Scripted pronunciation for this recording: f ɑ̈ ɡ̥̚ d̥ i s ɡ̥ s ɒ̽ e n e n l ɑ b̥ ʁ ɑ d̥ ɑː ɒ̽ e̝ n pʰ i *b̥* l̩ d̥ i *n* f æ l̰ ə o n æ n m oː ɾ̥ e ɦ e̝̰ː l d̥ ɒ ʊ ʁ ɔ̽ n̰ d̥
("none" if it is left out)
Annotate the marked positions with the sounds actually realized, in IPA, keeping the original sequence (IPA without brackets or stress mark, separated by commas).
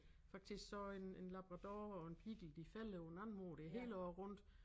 ɡ̥, none